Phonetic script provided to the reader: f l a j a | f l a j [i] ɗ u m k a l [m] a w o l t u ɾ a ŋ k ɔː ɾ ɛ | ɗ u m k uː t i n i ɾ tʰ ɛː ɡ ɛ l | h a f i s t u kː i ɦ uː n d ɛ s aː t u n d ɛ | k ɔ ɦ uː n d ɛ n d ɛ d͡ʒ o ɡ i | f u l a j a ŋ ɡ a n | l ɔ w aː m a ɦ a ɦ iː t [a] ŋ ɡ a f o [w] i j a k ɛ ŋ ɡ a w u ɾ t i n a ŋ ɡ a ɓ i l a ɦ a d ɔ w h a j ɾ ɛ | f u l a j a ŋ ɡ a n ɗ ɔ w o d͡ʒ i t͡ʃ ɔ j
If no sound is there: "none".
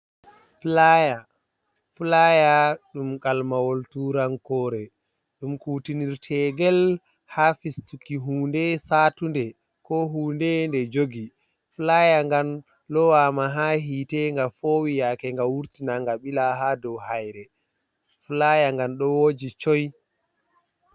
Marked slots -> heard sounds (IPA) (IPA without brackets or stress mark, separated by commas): a, m, ɛ, w